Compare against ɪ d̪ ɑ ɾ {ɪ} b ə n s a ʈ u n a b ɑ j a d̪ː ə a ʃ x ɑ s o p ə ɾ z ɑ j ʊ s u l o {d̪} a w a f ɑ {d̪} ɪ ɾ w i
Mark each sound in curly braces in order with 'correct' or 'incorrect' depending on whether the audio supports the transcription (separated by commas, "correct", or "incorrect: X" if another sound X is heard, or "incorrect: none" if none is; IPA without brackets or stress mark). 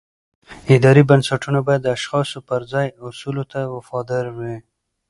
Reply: incorrect: i, incorrect: t̪, correct